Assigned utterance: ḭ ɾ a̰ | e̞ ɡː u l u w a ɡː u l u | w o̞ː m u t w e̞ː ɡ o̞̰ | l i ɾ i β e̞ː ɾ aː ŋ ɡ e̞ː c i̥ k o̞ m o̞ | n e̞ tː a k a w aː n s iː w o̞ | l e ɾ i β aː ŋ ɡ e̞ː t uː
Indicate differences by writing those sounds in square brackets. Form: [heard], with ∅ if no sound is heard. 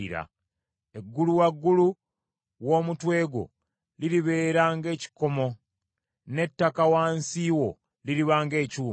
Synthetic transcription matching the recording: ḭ ɾ a̰ | e̞ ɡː u l u w a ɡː u l u | w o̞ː m u t w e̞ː ɡ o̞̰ | l i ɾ i β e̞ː ɾ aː ŋ ɡ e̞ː c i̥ k o̞ m o̞ | n e̞ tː a k a w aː n s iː w o̞ | l [i] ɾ i β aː ŋ ɡ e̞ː [c] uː